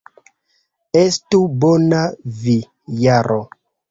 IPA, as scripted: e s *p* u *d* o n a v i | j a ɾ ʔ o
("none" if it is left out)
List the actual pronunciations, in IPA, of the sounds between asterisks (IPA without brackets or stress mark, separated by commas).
t, b